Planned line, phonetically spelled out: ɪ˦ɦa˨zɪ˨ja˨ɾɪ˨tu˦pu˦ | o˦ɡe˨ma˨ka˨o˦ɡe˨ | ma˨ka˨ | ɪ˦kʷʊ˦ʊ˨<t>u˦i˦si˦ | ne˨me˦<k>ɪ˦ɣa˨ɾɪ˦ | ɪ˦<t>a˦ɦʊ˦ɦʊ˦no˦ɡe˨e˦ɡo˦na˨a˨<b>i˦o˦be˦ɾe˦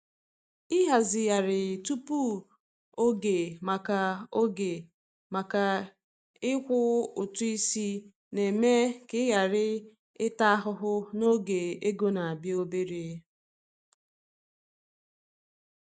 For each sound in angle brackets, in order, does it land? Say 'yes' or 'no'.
yes, yes, yes, yes

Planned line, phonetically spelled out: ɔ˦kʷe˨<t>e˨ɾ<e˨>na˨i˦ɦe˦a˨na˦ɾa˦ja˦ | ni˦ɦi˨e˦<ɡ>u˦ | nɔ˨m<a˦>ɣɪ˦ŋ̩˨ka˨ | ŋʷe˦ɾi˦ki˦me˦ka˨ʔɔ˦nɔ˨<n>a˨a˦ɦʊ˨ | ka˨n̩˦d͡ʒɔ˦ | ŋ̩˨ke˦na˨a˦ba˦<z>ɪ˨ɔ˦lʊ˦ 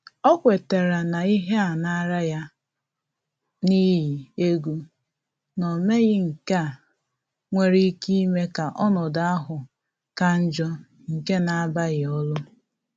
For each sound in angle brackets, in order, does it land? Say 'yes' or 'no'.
yes, no, yes, no, no, no

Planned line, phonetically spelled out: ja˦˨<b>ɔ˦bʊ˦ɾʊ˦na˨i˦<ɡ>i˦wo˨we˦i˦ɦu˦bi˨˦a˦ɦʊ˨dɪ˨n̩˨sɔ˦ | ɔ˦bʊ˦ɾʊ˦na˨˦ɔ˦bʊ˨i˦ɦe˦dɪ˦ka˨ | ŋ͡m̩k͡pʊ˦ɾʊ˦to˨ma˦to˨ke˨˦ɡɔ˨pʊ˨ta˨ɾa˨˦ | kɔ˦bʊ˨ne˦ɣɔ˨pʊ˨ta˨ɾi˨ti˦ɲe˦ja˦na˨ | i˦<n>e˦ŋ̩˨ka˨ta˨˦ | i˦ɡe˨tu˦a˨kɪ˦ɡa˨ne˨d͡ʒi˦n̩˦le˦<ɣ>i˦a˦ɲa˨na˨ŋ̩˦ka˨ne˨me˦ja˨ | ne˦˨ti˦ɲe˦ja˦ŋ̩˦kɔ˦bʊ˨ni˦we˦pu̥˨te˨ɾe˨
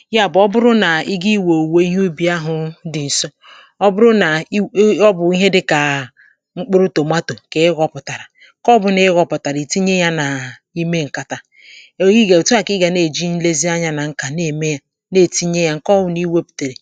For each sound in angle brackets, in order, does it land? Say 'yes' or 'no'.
yes, yes, no, no

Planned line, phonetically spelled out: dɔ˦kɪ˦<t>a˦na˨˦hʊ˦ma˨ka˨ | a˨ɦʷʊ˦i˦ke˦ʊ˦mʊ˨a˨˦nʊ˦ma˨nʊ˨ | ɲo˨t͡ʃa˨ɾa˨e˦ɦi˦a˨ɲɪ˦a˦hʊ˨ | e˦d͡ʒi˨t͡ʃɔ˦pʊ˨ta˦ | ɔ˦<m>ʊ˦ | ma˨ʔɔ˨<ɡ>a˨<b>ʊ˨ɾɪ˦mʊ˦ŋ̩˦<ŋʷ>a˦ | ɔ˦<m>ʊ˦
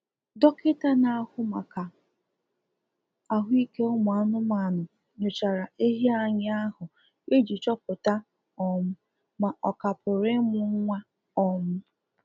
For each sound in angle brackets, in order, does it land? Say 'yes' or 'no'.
yes, yes, no, no, yes, yes

